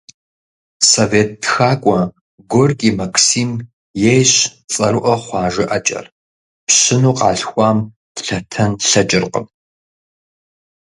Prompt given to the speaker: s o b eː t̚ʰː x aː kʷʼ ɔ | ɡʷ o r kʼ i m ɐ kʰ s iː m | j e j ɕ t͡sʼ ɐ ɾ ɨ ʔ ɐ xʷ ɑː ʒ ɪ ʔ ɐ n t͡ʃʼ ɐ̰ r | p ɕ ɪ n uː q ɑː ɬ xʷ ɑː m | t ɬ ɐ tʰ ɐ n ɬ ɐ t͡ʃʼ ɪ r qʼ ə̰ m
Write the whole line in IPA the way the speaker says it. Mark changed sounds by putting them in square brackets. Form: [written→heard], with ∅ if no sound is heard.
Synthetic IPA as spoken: s o [b→v] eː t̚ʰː x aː kʷʼ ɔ | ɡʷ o r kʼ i m ɐ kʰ s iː m | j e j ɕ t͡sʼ ɐ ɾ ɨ ʔ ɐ [xʷ→χʷ] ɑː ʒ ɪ ʔ ɐ [n→∅] t͡ʃʼ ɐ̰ r | p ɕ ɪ n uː q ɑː ɬ xʷ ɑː m | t ɬ ɐ tʰ ɐ n ɬ ɐ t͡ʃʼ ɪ r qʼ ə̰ m